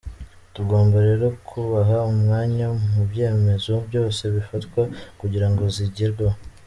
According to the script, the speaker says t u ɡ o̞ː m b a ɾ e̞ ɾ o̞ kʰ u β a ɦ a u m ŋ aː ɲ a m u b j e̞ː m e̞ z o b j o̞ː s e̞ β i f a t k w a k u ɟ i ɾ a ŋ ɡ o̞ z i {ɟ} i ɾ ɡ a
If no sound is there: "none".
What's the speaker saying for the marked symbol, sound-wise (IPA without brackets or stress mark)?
ɟ